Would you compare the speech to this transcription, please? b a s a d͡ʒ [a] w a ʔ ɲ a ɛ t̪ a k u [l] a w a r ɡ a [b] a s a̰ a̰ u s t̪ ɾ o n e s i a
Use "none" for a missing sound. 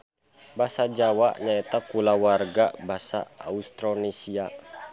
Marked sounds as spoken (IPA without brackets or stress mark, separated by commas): a, l, b